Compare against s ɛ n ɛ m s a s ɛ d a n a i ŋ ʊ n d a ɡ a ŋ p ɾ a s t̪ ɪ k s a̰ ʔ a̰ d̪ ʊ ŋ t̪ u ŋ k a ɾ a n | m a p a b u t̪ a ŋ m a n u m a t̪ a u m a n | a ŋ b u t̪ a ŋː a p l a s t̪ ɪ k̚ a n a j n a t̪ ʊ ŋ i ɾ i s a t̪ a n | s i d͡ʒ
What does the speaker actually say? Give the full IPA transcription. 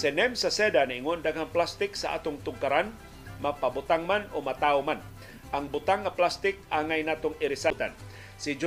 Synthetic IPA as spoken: s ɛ n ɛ m s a s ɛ d a n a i ŋ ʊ n d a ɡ a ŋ p l a s t̪ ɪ k s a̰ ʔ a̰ t̪ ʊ ŋ t̪ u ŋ k a ɾ a n | m a p a b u t̪ a ŋ m a n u m a t̪ a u m a n | a ŋ b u t̪ a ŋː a p l a s t̪ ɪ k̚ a ŋ a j n a t̪ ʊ ŋ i ɾ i s a t̪ a n | s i d͡ʒ